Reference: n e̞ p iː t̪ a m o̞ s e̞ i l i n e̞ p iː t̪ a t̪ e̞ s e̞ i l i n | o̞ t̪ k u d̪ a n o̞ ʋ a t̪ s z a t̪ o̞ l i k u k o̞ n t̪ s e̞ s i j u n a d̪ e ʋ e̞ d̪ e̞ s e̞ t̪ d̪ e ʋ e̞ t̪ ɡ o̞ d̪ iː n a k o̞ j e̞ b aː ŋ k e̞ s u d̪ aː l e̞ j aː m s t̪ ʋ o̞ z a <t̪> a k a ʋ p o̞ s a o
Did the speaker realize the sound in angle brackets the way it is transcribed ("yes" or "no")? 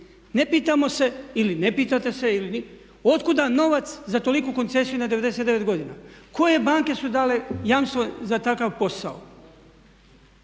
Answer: yes